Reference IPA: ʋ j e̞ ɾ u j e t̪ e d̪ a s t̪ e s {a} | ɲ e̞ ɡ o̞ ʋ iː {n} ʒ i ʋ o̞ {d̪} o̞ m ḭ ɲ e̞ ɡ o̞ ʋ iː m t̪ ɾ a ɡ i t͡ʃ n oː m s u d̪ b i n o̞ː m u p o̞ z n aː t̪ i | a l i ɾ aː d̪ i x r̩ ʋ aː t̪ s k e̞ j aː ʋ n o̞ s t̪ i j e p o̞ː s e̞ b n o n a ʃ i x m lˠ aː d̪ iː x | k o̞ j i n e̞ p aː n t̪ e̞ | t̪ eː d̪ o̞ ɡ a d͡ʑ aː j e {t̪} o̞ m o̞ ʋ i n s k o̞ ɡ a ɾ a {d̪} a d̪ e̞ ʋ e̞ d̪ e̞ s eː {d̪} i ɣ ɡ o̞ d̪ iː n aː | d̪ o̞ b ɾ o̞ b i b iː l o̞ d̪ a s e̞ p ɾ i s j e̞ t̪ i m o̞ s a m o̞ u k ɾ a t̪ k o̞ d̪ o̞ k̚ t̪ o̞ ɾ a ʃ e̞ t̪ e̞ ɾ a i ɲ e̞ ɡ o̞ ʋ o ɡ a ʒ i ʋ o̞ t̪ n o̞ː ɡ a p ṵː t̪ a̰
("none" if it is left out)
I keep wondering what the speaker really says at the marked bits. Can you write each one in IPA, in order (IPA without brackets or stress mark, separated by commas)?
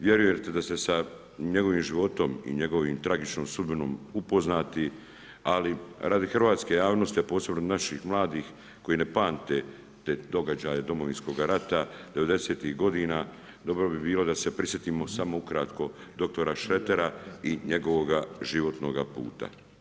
a, m, t̪, d̪, t̪, t̪